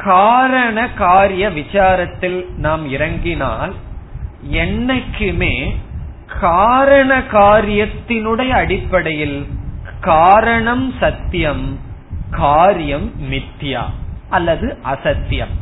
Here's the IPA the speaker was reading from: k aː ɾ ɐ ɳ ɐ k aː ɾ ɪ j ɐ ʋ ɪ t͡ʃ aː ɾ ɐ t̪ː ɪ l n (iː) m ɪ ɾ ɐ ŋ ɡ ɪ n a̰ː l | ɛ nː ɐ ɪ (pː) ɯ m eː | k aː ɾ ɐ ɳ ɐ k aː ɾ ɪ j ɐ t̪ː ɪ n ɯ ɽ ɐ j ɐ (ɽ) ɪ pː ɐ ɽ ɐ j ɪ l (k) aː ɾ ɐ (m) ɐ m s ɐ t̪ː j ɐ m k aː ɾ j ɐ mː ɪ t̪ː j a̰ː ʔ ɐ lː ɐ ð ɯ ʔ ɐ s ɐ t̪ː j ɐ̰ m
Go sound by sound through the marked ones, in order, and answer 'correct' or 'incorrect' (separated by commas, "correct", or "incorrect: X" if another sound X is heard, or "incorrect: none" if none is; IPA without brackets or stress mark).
incorrect: aː, incorrect: kː, correct, correct, incorrect: ɳ